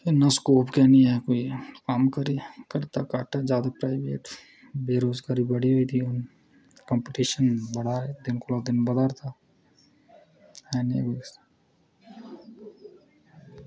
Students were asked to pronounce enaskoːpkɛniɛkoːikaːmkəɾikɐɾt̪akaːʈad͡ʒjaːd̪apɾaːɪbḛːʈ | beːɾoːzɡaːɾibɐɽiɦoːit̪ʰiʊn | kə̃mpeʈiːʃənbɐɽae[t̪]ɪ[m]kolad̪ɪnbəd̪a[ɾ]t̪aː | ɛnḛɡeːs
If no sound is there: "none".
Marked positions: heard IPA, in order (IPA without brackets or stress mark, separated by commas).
d̪, n, ɾ